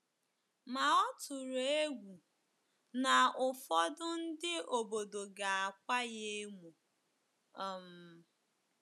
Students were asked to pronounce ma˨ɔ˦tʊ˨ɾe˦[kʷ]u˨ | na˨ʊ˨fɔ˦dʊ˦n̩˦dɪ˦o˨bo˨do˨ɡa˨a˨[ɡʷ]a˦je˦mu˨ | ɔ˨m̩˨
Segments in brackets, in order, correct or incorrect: incorrect: ɡʷ, incorrect: kʷ

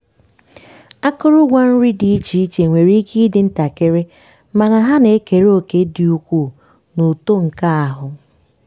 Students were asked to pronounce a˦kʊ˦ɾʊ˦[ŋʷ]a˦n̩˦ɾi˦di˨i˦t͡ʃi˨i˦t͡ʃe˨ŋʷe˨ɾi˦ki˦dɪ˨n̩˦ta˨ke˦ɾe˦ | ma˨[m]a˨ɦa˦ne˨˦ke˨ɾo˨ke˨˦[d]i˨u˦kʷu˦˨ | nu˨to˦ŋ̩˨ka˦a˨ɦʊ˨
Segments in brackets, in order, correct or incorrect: incorrect: ɡʷ, incorrect: n, correct

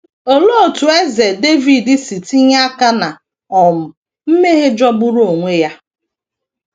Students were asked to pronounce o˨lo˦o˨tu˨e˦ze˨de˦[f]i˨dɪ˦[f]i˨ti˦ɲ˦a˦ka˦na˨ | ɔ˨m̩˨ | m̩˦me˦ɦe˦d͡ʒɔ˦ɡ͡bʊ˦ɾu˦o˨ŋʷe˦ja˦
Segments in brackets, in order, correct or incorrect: incorrect: v, incorrect: s

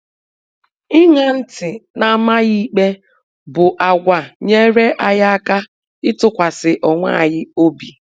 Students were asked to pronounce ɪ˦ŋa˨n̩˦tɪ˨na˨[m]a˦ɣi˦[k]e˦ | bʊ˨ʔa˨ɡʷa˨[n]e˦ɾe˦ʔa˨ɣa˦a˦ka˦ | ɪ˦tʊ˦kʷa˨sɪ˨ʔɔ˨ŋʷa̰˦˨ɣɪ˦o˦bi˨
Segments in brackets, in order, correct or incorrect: correct, incorrect: k͡p, incorrect: ɲ

